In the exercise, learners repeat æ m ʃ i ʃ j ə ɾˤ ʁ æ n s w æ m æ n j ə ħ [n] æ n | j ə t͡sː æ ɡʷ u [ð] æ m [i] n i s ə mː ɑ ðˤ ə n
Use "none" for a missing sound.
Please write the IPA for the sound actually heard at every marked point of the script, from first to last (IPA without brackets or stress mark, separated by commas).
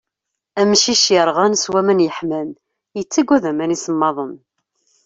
m, ð, æ